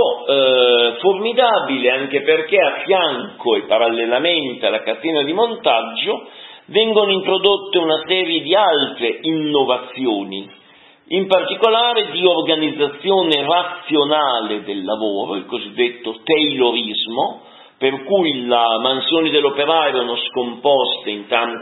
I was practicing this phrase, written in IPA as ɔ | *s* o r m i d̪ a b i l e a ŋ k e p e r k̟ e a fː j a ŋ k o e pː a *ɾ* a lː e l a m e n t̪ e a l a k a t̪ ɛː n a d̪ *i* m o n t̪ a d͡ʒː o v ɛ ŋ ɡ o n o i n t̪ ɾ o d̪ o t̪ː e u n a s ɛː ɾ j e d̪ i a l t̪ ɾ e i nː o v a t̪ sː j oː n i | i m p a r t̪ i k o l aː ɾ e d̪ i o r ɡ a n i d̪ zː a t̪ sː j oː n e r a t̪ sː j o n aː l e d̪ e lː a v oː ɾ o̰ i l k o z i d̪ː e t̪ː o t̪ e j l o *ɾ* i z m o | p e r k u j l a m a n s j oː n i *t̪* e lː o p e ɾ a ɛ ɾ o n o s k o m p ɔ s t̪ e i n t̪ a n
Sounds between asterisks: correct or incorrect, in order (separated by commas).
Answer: incorrect, correct, correct, correct, incorrect